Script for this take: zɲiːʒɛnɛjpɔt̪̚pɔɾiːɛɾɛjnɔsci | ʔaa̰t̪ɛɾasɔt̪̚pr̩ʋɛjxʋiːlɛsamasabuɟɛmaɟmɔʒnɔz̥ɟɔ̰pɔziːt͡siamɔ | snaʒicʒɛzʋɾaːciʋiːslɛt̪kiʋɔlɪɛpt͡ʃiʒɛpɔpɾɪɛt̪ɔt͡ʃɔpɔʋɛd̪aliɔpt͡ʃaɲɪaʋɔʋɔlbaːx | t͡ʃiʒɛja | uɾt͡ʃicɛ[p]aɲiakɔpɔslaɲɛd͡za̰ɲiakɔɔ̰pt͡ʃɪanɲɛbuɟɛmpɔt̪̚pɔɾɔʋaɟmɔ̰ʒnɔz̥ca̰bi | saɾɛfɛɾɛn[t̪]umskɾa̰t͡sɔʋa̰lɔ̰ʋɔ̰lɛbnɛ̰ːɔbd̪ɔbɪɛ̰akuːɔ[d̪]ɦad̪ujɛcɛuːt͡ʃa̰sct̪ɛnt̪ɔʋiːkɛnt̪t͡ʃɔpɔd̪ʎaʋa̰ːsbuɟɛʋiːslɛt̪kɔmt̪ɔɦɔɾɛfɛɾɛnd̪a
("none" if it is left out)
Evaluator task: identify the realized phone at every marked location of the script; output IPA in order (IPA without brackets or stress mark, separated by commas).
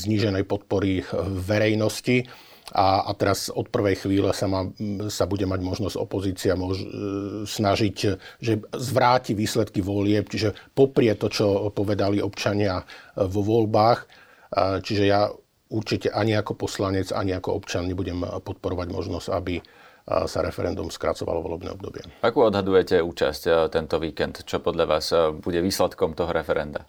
ʔ, d̪, d̪